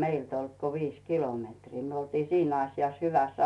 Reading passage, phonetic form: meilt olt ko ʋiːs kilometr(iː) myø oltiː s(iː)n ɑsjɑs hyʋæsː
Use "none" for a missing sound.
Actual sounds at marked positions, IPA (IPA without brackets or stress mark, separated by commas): iː, iː